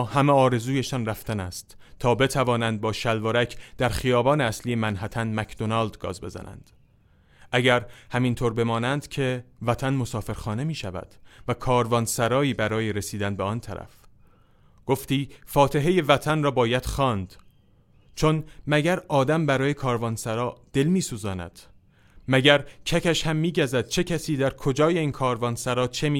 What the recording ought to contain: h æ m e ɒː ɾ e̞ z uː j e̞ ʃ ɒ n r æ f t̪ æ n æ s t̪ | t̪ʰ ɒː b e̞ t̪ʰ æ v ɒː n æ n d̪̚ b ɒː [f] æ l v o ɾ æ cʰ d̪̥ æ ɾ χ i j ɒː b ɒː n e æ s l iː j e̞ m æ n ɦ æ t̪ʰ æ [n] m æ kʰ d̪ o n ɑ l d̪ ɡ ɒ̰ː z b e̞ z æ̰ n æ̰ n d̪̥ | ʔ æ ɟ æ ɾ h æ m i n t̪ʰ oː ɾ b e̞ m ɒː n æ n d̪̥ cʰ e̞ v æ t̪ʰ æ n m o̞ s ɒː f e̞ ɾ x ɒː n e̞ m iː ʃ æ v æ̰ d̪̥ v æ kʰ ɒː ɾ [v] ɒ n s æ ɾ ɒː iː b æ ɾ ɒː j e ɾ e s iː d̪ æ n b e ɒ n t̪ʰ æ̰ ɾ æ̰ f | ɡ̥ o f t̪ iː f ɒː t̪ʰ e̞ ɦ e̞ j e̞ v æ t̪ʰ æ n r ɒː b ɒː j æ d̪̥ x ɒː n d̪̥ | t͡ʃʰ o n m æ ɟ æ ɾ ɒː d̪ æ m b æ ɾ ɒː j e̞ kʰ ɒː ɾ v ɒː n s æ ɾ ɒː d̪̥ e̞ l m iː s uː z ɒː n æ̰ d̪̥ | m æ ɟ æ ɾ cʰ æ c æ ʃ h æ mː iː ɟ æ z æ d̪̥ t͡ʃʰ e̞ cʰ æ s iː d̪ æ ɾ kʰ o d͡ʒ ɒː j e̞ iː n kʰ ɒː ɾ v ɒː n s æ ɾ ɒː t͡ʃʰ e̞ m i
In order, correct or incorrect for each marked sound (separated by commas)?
incorrect, correct, correct